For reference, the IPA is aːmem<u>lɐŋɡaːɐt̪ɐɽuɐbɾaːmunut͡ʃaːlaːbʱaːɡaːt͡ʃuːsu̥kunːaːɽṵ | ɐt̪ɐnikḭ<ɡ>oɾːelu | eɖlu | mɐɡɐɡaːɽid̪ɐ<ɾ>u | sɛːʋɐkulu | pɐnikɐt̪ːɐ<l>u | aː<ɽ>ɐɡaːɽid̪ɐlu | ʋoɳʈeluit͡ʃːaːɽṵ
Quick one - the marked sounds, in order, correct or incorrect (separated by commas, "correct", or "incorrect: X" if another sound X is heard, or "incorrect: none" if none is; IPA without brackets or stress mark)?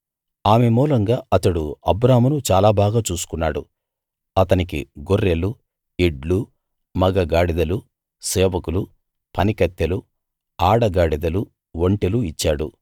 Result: incorrect: uː, correct, incorrect: l, correct, correct